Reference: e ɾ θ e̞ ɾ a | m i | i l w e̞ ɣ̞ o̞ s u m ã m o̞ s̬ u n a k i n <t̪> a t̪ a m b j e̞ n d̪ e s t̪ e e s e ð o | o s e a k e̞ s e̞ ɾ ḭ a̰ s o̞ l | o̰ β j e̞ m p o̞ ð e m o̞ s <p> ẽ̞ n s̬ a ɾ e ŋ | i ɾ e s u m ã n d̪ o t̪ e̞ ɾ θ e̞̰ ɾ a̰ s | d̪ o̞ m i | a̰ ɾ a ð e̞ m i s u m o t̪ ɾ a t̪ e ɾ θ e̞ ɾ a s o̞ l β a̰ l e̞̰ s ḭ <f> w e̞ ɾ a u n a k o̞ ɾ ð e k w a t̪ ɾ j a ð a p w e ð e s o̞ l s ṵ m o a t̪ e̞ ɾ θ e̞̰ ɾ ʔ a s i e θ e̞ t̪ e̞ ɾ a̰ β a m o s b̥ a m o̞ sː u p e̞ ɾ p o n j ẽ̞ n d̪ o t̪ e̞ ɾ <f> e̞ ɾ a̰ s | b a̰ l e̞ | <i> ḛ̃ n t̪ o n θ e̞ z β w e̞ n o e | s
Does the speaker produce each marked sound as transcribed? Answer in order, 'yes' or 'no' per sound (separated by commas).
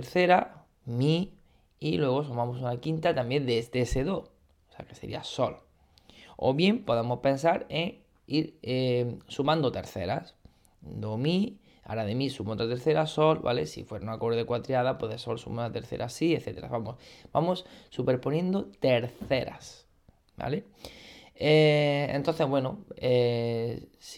yes, yes, yes, no, no